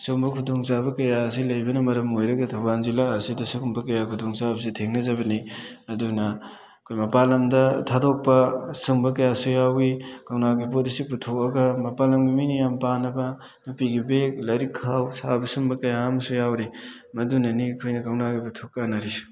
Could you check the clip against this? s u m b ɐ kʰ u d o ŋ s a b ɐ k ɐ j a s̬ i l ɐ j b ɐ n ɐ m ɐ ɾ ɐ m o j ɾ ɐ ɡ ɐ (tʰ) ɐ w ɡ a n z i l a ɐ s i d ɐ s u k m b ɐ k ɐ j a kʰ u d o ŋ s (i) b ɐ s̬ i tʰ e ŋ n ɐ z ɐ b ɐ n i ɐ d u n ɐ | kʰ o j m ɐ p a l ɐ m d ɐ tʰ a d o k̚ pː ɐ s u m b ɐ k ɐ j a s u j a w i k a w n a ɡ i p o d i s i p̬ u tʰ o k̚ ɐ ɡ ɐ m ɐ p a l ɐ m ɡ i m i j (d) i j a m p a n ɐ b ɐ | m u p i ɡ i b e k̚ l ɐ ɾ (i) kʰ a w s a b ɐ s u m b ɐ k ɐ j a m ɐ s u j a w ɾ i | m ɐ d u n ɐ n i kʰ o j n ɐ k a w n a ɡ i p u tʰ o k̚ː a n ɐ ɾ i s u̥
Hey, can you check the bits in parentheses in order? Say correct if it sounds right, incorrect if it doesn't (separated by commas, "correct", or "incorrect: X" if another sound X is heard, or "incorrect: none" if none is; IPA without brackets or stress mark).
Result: correct, incorrect: a, incorrect: n, correct